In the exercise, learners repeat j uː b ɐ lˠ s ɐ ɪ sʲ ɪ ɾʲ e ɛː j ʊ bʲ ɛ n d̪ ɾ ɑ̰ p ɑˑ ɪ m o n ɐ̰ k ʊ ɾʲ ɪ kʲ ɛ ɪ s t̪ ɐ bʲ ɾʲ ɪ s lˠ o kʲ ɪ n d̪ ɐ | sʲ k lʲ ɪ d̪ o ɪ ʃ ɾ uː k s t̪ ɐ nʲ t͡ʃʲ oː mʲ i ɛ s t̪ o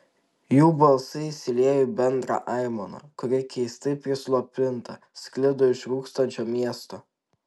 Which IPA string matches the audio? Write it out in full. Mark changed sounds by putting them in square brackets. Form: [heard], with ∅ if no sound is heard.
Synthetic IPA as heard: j uː b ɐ lˠ s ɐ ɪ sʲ ɪ [lʲ] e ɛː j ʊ bʲ ɛ n d̪ ɾ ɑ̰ [ʔ] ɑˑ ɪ m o n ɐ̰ k ʊ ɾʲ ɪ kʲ ɛ ɪ s t̪ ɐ [pʲ] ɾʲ ɪ s lˠ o [pʲ] ɪ n [t̪] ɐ | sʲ k lʲ ɪ d̪ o ɪ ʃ ɾ uː k s t̪ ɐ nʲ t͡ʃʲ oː mʲ i ɛ s t̪ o